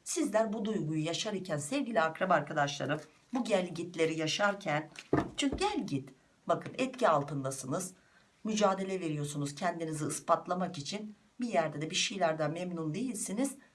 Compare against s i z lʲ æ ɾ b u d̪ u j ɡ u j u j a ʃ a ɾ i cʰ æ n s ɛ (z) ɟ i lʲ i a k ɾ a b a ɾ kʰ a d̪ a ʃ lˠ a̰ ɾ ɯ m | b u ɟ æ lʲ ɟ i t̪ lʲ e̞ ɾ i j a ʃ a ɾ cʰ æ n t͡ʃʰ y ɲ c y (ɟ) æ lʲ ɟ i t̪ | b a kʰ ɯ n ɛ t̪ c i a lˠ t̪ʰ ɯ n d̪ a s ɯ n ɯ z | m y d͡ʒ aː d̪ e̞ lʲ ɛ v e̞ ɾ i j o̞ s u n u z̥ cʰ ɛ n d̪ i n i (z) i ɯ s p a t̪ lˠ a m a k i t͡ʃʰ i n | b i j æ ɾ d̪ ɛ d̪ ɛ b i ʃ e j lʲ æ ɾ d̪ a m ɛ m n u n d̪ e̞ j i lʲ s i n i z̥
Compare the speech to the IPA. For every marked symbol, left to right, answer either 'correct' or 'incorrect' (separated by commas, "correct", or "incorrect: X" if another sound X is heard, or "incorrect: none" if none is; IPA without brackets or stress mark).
incorrect: v, correct, correct